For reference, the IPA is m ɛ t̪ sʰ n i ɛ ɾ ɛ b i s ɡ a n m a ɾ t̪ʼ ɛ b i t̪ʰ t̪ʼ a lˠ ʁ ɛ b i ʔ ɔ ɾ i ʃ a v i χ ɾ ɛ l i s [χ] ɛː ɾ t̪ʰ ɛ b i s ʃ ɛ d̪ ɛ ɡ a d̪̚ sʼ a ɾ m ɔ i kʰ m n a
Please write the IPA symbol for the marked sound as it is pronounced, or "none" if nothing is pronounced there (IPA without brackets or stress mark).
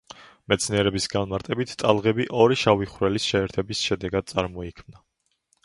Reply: ʃ